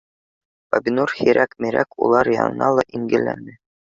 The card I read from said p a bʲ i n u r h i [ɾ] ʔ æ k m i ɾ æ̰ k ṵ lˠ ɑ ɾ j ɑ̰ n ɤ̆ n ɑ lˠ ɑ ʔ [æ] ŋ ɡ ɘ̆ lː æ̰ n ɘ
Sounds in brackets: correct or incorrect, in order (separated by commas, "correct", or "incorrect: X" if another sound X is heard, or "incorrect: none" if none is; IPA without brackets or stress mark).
correct, incorrect: i